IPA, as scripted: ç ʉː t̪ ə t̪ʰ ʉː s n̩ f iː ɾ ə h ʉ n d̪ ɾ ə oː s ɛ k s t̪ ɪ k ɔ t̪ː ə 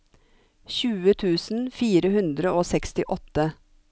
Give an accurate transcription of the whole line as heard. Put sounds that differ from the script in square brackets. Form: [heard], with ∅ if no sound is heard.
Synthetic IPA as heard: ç ʉː [∅] ə t̪ʰ ʉː s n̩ f iː ɾ ə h ʉ n d̪ ɾ ə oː s ɛ k s t̪ ɪ [ʔ] ɔ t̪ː ə